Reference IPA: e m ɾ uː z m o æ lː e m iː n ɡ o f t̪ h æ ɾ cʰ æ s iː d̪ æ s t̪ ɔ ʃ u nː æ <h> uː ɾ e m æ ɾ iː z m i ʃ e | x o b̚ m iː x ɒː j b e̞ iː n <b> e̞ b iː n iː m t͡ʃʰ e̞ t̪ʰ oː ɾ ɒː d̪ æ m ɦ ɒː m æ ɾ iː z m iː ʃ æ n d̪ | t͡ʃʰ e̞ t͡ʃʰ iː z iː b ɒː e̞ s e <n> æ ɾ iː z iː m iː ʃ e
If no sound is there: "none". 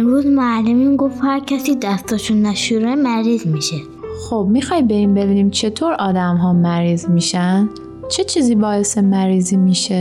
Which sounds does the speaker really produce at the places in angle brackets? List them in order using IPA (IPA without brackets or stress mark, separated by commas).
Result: ʃ, b, m